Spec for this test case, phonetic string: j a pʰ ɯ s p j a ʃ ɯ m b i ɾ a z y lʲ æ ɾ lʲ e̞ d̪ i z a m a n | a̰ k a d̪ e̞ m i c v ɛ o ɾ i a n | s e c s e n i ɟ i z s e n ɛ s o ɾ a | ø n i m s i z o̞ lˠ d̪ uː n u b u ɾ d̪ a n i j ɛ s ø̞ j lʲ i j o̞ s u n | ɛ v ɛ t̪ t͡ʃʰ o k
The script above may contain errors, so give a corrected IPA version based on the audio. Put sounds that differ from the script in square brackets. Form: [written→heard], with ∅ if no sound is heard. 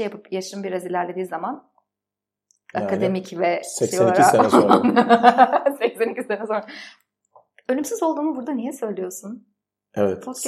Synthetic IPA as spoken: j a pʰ ɯ [s→∅] p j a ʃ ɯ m b i ɾ a z [y→i] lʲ æ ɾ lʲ e̞ d̪ [i→iː] z a m a n | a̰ k a d̪ e̞ m i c v ɛ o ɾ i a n | s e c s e n i [ɟ→c] i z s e n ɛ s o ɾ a | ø n [i→y] m s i z o̞ lˠ d̪ uː n u b u ɾ d̪ a n i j ɛ s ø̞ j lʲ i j o̞ s u n | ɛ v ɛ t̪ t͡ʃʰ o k